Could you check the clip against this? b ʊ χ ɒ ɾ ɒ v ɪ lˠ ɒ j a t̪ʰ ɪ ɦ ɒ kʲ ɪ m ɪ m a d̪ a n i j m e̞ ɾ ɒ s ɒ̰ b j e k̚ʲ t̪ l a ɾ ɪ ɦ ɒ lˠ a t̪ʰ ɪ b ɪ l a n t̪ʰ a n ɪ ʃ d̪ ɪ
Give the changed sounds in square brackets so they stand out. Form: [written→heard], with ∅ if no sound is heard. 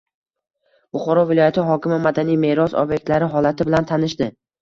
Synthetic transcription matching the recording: b ʊ χ ɒ ɾ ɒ v ɪ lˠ ɒ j a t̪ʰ ɪ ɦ ɒ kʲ ɪ m ɪ m a d̪ a n i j m e̞ ɾ ɒ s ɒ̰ b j e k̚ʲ t̪ l a ɾ ɪ ɦ ɒ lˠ a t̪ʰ ɪ b ɪ l a n t̪ʰ a n ɪ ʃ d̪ ɪ